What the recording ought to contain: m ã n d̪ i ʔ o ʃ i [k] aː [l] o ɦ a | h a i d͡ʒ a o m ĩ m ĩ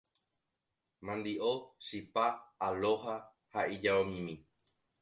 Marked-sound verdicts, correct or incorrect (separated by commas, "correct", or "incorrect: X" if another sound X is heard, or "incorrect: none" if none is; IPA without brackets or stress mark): incorrect: p, correct